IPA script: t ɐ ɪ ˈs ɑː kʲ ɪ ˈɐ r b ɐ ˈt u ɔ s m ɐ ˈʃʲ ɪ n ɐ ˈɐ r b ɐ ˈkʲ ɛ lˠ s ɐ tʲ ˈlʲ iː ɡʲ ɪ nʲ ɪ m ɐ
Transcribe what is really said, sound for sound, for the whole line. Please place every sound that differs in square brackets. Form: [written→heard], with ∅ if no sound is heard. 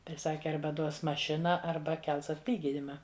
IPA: t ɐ ɪ ˈs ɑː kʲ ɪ ˈɐ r b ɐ [ˈt→ˈd] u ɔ s m ɐ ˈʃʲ ɪ n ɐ ˈɐ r b ɐ ˈkʲ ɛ lˠ s ɐ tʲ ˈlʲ iː ɡʲ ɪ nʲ ɪ m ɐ